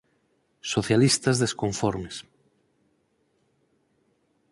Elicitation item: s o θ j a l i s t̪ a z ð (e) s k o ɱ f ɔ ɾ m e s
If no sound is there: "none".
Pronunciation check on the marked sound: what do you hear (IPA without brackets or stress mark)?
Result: e